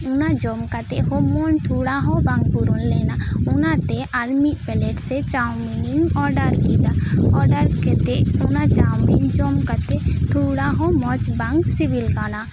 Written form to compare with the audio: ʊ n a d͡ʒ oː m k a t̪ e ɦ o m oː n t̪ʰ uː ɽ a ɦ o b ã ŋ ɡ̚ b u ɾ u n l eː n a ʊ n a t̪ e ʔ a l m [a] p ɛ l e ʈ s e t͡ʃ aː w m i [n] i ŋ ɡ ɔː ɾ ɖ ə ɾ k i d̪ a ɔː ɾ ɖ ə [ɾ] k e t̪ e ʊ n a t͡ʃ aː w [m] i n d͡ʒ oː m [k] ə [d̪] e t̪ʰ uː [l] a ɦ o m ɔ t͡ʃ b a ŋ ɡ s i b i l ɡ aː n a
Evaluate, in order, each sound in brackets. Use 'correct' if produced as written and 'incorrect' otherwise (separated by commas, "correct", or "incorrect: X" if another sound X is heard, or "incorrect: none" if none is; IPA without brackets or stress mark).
incorrect: i, correct, correct, correct, correct, incorrect: t̪, incorrect: ɽ